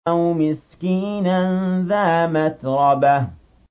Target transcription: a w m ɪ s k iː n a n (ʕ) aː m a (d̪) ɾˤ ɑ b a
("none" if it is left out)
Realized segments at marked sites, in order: ð, t̪

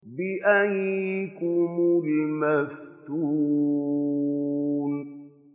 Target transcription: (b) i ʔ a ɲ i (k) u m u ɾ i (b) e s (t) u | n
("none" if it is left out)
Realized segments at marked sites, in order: b, k, m, t

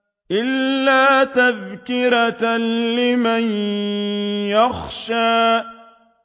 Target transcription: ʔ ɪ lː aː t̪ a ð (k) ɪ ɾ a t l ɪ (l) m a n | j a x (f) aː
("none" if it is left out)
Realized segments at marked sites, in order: k, none, ʃ

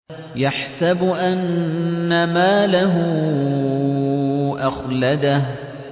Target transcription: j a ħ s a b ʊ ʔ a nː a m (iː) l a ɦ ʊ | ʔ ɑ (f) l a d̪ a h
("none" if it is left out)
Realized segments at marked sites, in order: aː, x

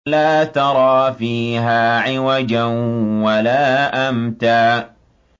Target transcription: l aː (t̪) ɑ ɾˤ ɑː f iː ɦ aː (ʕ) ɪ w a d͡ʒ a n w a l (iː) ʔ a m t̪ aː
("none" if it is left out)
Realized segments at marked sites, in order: t̪, ʕ, aː

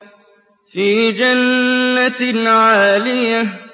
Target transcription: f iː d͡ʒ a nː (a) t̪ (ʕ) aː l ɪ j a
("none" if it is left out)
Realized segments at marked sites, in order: a, ʕ

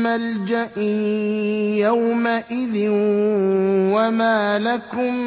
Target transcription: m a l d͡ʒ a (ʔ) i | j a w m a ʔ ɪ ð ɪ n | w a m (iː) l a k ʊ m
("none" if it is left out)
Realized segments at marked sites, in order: ʔ, aː

